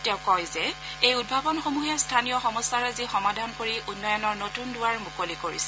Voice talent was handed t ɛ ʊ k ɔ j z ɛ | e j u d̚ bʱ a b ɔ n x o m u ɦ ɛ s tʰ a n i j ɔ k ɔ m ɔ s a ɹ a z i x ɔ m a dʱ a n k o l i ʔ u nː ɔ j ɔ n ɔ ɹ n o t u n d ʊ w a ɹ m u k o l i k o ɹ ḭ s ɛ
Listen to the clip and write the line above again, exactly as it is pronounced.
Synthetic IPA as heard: t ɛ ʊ k ɔ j z ɛ | e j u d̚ bʱ a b ɔ n x o m u ɦ ɛ s tʰ a n i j ɔ x ɔ m ɔ s a ɹ a z i x ɔ m a dʱ a n k o ɹ i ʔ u nː ɔ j ɔ n ɔ ɹ n o t u n d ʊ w a ɹ m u k o l i k o ɹ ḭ s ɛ